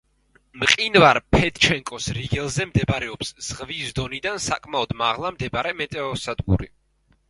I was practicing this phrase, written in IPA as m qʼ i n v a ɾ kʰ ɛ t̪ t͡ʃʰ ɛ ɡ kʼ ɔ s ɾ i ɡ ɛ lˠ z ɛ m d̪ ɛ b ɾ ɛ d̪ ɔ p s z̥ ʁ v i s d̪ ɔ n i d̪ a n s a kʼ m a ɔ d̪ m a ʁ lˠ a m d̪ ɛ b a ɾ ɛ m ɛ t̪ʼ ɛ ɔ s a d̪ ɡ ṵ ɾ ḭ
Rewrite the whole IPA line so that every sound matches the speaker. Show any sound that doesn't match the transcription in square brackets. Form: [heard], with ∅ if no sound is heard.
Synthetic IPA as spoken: m qʼ i n v a ɾ [pʰ] ɛ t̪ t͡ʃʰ ɛ [ŋ] kʼ ɔ s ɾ i ɡ ɛ lˠ z ɛ m d̪ ɛ b ɾ ɛ [∅] ɔ p s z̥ ʁ v i s d̪ ɔ n i d̪ a n s a kʼ m a ɔ d̪ m a ʁ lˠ a m d̪ ɛ b a ɾ ɛ m ɛ t̪ʼ ɛ ɔ s a d̪ ɡ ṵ ɾ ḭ

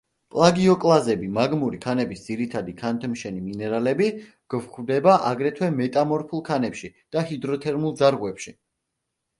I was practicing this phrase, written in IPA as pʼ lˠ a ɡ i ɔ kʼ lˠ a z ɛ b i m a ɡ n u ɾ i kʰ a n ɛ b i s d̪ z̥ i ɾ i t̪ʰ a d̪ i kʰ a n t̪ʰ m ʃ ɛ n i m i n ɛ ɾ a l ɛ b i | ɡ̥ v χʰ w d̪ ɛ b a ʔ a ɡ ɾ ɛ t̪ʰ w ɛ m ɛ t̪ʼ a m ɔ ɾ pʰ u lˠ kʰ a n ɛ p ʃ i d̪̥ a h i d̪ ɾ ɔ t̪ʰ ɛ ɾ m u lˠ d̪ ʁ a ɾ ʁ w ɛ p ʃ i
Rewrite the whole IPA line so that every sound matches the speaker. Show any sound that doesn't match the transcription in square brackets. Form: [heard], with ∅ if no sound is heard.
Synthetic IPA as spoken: pʼ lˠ a ɡ i ɔ kʼ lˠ a z ɛ b i m a ɡ [m] u ɾ i kʰ a n ɛ b i s d̪ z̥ i ɾ i t̪ʰ a d̪ i kʰ a n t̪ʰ m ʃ ɛ n i m i n ɛ ɾ a l ɛ b i | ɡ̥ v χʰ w d̪ ɛ b a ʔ a ɡ ɾ ɛ t̪ʰ w ɛ m ɛ t̪ʼ a m ɔ ɾ pʰ u lˠ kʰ a n ɛ p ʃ i d̪̥ a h i d̪ ɾ ɔ t̪ʰ ɛ ɾ m u lˠ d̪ [z] a ɾ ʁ w ɛ p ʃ i

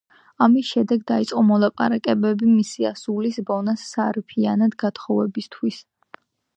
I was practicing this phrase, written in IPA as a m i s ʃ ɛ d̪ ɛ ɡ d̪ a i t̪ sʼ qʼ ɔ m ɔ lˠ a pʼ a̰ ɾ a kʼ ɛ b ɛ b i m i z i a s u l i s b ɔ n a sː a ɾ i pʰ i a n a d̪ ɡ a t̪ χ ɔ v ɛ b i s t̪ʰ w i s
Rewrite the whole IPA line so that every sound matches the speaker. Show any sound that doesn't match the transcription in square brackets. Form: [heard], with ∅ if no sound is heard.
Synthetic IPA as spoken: a m i s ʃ ɛ d̪ ɛ ɡ d̪ a i t̪ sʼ qʼ ɔ m ɔ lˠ a pʼ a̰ ɾ a kʼ ɛ b ɛ b i m i [s] i a s u l i s b ɔ n a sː a ɾ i pʰ i a n a d̪ ɡ a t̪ χ ɔ v ɛ b i s t̪ʰ w i s

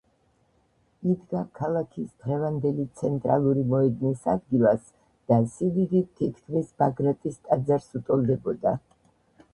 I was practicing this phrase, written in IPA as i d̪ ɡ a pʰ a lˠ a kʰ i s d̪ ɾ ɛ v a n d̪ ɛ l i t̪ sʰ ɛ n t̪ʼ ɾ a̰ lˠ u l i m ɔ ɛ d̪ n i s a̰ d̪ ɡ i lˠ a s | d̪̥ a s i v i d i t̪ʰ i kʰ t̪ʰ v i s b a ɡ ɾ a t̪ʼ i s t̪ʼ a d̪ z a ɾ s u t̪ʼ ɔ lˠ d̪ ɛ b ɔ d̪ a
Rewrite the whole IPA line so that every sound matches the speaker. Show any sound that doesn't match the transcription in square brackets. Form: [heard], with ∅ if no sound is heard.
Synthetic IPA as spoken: i d̪ ɡ a [kʰ] a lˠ a kʰ i s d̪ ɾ ɛ v a n d̪ ɛ l i t̪ sʰ ɛ n t̪ʼ ɾ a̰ lˠ u [ɾ] i m ɔ ɛ d̪ n i s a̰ d̪ ɡ i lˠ a s | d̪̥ a s i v i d i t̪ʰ i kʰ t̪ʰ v i s b a ɡ ɾ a t̪ʼ i s t̪ʼ a d̪ z a ɾ s u t̪ʼ ɔ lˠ d̪ ɛ b ɔ d̪ a

